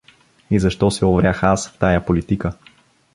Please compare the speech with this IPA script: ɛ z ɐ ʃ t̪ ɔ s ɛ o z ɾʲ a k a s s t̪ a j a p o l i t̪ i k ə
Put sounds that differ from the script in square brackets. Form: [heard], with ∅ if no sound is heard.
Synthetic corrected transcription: [i] z ɐ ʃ t̪ ɔ s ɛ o [v] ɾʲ a [x] a s [f] t̪ a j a p o l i t̪ i k ə